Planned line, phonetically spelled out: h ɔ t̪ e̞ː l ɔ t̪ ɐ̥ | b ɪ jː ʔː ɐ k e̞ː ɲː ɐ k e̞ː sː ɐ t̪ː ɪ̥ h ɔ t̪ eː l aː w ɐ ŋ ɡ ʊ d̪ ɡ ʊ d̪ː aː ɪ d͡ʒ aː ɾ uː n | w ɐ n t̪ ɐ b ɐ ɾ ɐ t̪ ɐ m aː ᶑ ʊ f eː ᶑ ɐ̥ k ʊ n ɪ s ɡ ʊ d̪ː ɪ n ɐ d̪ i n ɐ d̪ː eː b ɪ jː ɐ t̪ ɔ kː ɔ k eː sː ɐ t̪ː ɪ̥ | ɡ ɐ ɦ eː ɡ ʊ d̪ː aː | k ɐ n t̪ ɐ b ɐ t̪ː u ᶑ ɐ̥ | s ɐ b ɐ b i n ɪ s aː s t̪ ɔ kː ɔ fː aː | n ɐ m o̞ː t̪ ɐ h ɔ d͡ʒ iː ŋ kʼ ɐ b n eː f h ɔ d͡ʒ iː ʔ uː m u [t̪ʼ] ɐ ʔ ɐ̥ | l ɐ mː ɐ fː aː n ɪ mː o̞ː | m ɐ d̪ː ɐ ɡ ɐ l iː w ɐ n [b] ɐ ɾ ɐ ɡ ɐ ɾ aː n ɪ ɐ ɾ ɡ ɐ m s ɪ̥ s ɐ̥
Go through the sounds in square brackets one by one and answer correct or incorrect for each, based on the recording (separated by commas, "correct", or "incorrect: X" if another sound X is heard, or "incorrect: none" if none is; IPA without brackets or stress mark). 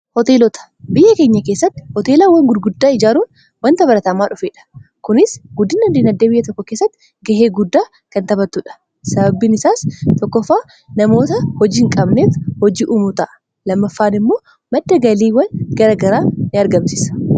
incorrect: t̪, incorrect: ɡ